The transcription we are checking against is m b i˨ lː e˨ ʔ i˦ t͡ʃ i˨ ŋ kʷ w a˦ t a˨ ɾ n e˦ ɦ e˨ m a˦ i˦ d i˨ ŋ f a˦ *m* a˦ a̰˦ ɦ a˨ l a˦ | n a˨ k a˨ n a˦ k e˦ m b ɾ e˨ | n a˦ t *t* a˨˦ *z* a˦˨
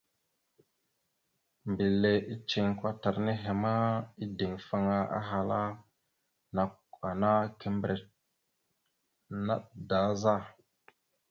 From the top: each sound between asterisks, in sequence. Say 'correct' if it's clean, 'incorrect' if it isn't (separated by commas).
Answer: incorrect, incorrect, correct